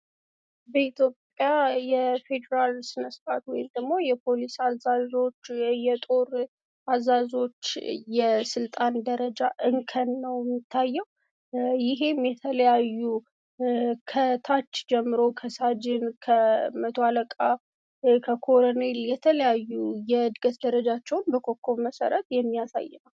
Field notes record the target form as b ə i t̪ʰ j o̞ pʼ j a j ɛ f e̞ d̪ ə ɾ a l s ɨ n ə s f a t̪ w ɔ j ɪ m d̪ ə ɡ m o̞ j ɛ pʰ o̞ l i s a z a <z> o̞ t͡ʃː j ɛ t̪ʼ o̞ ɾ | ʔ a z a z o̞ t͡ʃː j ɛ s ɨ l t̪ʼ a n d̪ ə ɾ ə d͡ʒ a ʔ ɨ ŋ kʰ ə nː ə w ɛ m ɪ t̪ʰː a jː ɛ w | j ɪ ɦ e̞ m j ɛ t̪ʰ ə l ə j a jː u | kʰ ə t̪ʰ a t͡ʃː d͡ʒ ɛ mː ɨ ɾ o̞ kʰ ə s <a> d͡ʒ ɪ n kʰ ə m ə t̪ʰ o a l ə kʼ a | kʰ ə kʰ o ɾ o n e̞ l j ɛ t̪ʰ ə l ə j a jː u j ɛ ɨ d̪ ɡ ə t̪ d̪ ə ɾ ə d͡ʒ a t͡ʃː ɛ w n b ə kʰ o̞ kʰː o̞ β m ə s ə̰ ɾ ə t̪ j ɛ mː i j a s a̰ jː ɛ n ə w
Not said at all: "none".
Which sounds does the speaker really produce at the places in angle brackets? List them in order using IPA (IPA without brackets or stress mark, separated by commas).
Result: z, a